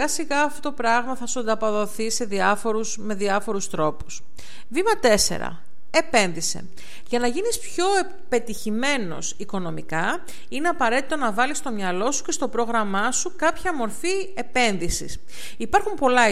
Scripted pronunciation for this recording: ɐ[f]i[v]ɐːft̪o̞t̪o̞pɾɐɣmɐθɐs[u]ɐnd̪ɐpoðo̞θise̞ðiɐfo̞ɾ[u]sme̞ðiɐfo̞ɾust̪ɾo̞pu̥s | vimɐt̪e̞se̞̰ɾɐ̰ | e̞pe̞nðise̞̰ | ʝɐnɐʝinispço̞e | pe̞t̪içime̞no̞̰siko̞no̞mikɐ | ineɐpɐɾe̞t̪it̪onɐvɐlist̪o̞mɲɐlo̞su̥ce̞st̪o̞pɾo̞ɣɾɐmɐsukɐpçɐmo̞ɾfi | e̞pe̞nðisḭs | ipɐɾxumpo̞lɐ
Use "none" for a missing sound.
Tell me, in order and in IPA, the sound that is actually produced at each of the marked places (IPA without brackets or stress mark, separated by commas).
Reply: s, ɣ, u, u